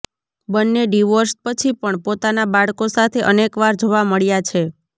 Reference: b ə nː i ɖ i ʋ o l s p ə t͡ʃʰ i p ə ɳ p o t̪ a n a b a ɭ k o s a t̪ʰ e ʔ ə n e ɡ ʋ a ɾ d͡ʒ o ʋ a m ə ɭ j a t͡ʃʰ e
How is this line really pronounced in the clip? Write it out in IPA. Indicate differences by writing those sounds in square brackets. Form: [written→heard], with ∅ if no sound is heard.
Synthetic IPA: b ə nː [i→e] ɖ i ʋ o [l→ɾ] s p ə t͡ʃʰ i p ə ɳ p o t̪ a n a b a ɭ k o s a t̪ʰ e ʔ ə n e [ɡ→k] ʋ a ɾ d͡ʒ o ʋ a m ə ɭ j a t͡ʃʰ e

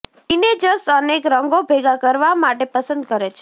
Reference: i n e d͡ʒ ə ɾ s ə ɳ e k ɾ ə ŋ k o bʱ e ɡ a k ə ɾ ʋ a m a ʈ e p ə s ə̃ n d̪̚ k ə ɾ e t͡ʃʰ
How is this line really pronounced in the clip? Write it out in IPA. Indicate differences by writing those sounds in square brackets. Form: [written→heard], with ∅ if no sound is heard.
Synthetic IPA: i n e d͡ʒ ə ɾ s ə [ɳ→n] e k ɾ ə ŋ [k→ɡ] o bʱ e ɡ a k ə ɾ ʋ a m a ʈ e p ə s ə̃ n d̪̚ k ə ɾ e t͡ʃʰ

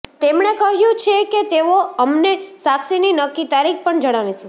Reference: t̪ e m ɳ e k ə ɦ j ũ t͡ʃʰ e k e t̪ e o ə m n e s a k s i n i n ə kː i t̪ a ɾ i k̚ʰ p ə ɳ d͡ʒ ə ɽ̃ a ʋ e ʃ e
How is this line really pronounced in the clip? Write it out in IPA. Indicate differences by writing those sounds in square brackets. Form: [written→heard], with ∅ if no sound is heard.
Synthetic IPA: t̪ e m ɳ e k ə ɦ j ũ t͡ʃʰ e k e t̪ e o ə m n e s a k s i n i n ə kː i t̪ a ɾ i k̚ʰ p ə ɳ d͡ʒ ə ɽ̃ a ʋ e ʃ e

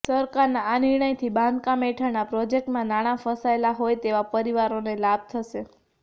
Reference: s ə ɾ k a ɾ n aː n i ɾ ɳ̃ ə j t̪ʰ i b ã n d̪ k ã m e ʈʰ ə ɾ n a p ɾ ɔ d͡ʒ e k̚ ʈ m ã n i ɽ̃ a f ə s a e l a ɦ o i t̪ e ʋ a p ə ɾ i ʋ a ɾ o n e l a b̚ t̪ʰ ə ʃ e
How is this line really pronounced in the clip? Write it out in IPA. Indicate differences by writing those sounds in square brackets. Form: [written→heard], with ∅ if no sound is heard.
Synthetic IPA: s ə ɾ k a ɾ n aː n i ɾ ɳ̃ ə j t̪ʰ i b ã n d̪ k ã m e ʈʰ ə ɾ n a p ɾ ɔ d͡ʒ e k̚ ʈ m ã n [i→a] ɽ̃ a f ə s a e l a ɦ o [i→j] t̪ e ʋ a p ə ɾ i ʋ a ɾ o n e l a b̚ t̪ʰ ə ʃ e

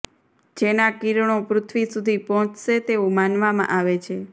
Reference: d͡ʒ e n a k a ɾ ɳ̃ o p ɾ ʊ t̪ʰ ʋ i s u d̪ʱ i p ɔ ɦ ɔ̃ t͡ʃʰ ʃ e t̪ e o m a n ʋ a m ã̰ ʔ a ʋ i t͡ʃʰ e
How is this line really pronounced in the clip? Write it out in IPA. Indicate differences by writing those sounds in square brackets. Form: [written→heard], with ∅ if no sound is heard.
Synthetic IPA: d͡ʒ e n a k [a→i] ɾ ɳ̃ o p ɾ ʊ t̪ʰ ʋ i s u d̪ʱ i p ɔ ɦ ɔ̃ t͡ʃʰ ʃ e t̪ e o m a n ʋ a m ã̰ ʔ a ʋ [i→e] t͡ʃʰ e

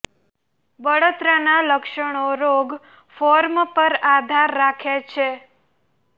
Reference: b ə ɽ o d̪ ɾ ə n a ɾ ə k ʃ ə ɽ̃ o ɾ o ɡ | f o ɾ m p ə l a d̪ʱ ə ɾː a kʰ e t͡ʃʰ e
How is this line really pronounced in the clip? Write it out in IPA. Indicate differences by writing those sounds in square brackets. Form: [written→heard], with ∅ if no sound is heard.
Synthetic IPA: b ə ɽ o [d̪→t̪] ɾ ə n a [ɾ→l] ə k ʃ ə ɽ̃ o ɾ o ɡ | f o ɾ m p ə [l→ɾ] a d̪ʱ [ə→a] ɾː a kʰ e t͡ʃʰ e

